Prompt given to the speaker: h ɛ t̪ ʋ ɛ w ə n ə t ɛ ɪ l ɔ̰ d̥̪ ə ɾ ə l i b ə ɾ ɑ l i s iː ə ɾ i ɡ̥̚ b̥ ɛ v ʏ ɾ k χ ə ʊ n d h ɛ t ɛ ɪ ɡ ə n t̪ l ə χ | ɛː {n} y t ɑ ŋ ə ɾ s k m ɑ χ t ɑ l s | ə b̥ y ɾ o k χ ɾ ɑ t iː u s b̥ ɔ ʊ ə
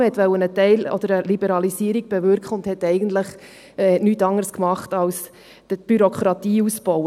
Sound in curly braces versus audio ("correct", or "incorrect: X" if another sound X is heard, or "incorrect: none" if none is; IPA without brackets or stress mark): correct